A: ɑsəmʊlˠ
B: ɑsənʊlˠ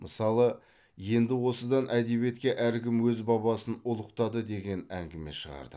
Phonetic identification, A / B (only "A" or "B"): B